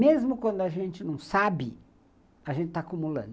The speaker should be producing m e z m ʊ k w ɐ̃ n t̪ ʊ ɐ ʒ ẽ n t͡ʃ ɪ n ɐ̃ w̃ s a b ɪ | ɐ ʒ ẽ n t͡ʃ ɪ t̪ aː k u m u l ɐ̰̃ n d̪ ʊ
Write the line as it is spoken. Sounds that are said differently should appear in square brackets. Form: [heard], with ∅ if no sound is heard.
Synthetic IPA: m e z m ʊ k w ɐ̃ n [d̪] ʊ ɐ ʒ ẽ n t͡ʃ ɪ n ɐ̃ w̃ s a b ɪ | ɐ ʒ ẽ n t͡ʃ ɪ t̪ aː k u m u l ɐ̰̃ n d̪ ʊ